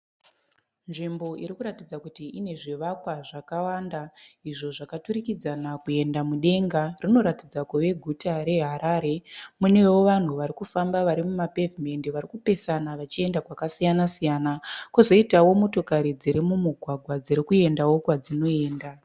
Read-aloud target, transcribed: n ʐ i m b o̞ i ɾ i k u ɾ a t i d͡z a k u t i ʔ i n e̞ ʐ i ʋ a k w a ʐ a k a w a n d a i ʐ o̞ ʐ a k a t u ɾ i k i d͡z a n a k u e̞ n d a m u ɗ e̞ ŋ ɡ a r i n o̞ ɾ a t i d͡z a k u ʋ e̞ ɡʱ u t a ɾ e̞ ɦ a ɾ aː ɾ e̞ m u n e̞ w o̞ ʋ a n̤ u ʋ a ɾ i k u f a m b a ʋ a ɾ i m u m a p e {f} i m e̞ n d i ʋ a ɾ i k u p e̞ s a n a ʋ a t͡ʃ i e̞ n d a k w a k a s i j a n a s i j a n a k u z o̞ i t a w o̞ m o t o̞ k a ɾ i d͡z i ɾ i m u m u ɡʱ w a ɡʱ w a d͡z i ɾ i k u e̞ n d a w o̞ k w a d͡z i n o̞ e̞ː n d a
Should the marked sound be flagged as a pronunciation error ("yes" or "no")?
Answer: yes